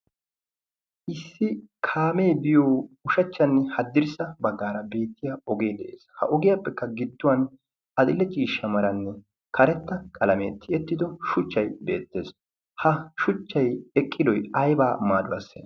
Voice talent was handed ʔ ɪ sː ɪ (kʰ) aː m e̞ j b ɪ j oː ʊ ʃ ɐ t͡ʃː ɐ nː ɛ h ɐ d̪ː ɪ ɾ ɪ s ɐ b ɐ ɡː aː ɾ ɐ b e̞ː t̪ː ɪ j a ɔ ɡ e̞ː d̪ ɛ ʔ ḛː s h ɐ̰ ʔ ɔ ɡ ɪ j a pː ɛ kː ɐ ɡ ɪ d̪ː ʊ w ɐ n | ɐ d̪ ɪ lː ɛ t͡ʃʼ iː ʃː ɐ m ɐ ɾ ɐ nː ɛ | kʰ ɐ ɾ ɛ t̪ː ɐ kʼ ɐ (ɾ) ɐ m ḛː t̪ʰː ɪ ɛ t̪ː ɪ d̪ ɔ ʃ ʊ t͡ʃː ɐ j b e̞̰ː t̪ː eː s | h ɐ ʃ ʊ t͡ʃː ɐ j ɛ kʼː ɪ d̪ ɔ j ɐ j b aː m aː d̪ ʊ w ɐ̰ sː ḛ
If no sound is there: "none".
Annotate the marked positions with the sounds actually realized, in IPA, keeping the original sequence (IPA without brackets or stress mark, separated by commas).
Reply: kʰ, l